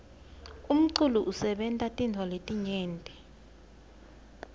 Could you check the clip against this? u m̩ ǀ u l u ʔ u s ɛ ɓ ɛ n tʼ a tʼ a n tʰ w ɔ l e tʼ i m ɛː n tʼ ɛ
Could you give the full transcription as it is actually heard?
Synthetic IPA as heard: u m̩ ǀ u l u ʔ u s ɛ ɓ ɛ n tʼ a tʼ i n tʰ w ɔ l e tʼ i ɲ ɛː n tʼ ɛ